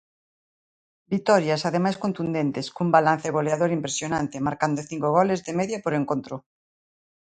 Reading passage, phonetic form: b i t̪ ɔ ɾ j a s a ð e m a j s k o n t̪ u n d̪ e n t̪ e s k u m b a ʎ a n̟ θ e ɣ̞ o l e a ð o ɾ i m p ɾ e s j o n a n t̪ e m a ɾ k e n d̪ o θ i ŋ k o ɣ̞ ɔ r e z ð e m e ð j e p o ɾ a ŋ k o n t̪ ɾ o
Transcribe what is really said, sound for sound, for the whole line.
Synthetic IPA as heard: b i t̪ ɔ ɾ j a s a ð e m a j s k o n t̪ u n d̪ e n t̪ e s k u m b a l a n̟ θ e ɣ̞ o l e a ð o ɾ i m p ɾ e s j o n a n t̪ e m a ɾ k a n d̪ o θ i ŋ k o ɣ̞ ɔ l e z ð e m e ð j a p o ɾ e ŋ k o n t̪ ɾ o